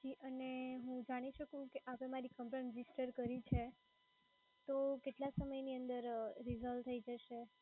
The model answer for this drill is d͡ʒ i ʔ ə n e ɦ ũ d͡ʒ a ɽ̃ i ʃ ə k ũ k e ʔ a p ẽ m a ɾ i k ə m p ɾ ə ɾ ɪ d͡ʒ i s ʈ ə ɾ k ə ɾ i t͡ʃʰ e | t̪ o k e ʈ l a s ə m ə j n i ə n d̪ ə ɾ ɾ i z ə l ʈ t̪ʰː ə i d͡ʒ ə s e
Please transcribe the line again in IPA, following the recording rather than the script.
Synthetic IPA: d͡ʒ i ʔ ə n e ɦ ũ d͡ʒ a ɽ̃ i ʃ ə k ũ k e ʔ a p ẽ m a ɾ i k ə m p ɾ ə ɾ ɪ d͡ʒ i s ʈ ə ɾ k ə ɾ i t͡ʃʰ e | t̪ o k e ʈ l a s ə m ə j n i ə n d̪ ə ɾ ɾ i z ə l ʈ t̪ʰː ə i d͡ʒ ə ʃ e